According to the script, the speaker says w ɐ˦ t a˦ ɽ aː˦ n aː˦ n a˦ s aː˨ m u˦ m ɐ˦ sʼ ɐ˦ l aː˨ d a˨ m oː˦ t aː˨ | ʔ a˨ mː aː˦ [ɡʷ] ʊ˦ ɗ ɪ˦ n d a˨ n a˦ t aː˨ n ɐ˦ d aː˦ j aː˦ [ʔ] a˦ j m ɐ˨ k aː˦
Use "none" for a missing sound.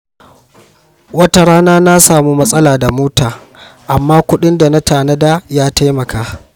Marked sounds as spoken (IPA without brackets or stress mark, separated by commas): kʷ, t